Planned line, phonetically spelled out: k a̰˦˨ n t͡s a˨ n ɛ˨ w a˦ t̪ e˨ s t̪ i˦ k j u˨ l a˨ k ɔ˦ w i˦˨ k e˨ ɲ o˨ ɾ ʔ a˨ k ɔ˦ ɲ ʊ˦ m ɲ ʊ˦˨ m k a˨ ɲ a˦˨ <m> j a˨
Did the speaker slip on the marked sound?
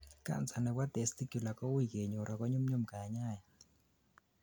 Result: yes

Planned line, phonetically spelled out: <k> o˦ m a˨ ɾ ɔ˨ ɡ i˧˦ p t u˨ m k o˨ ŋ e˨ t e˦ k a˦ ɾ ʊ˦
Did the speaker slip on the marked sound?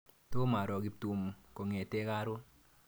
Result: yes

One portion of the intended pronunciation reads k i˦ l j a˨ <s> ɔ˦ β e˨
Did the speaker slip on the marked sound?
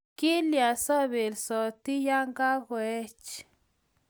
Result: no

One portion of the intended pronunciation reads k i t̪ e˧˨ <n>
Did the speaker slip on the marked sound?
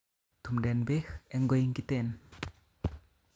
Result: no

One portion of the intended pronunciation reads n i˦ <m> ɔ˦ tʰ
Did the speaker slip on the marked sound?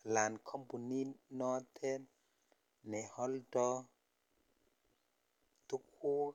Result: yes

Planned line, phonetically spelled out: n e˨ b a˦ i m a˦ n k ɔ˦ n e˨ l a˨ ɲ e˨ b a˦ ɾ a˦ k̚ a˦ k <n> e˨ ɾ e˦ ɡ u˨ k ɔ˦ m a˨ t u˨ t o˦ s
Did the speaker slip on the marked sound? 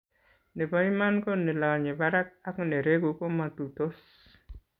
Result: no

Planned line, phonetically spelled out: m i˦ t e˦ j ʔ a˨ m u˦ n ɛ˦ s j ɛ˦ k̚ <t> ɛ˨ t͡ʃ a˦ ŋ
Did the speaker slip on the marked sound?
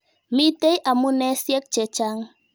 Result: yes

